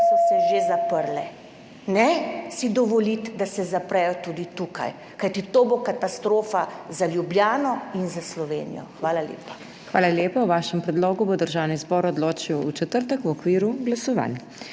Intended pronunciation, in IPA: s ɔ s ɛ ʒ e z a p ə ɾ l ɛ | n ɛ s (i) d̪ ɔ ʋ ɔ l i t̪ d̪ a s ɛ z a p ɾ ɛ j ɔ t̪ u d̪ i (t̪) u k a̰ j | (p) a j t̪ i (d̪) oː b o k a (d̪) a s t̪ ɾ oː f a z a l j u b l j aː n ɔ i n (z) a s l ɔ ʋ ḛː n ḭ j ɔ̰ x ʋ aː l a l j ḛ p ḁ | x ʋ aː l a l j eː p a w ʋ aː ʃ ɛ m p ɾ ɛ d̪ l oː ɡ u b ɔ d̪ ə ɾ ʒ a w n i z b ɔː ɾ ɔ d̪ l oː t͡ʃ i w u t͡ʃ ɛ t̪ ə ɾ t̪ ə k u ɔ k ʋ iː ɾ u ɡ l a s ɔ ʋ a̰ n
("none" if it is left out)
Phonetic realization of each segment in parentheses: i, t̪, k, t̪, t̪, z

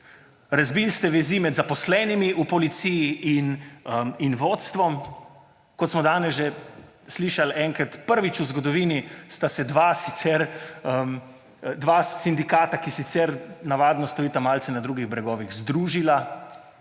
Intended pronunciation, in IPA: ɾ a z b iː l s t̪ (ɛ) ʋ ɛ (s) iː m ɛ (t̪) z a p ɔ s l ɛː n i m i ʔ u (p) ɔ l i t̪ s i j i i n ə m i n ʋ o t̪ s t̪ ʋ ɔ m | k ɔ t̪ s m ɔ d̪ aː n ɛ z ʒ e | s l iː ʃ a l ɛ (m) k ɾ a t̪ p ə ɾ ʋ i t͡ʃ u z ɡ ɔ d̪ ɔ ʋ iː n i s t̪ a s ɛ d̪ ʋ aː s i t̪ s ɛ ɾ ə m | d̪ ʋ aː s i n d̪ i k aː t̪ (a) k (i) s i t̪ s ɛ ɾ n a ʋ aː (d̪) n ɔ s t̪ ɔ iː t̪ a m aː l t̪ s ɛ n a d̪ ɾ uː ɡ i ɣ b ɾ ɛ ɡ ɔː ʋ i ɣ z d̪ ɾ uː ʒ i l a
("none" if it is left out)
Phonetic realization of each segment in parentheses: ɛ, z, d̪, p, ŋ, a, i, d̪

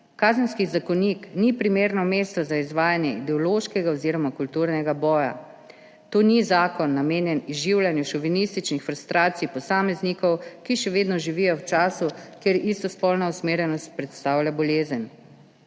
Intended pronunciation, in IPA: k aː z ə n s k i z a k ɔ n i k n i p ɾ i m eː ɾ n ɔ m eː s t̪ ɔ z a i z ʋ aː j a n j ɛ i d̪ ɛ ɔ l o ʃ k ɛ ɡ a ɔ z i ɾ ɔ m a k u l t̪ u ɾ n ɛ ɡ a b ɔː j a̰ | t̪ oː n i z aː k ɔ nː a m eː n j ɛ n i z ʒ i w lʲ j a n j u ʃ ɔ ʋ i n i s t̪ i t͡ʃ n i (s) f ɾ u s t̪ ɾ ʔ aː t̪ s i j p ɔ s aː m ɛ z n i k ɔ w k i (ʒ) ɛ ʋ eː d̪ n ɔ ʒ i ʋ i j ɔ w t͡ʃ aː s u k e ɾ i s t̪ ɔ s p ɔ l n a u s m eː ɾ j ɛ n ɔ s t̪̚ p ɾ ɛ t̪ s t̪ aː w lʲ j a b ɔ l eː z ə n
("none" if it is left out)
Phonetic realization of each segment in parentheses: x, ʃ

